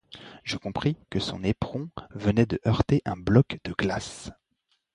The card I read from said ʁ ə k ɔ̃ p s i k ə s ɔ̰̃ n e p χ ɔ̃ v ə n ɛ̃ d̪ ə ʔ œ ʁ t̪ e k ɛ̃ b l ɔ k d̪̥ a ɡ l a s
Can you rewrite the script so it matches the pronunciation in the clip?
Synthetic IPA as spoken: ʒ ə k ɔ̃ p χ i k ə s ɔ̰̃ n e p χ ɔ̃ v ə n ɛ d̪ ə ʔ œ ʁ t̪ e ʔ ɛ̃ b l ɔ k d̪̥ ə ɡ l a s